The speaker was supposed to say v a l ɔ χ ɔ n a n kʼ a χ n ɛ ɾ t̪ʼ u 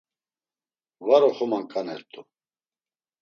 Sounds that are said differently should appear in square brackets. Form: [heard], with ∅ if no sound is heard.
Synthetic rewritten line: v a [ɾ] ɔ χ ɔ [m] a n kʼ a [∅] n ɛ ɾ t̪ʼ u